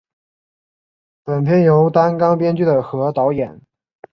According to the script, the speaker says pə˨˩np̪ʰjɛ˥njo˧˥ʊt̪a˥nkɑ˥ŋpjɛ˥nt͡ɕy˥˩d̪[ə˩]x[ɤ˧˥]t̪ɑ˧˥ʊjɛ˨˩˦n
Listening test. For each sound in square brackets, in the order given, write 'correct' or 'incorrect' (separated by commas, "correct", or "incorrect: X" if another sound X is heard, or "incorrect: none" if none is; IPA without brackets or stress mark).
correct, correct